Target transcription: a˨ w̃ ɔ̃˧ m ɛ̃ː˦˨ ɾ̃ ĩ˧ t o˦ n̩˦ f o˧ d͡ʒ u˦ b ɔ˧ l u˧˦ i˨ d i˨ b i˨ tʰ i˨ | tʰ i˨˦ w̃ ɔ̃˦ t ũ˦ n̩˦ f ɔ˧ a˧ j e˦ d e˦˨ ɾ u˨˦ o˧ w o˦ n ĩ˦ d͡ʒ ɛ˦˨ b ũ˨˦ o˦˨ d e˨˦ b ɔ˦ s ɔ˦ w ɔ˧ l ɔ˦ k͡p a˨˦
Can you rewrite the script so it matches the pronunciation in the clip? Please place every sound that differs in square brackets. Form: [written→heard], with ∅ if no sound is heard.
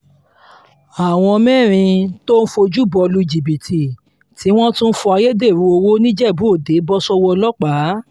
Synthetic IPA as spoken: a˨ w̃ ɔ̃˧ m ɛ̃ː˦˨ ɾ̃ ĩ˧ t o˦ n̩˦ f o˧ d͡ʒ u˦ b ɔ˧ l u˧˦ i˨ [d→d͡ʒ] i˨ b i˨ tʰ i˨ | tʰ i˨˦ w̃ ɔ̃˦ t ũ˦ n̩˦ f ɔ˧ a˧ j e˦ d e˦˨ ɾ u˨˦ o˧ w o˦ n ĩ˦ d͡ʒ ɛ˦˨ b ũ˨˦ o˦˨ d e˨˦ b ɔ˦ s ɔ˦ w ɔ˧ l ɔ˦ k͡p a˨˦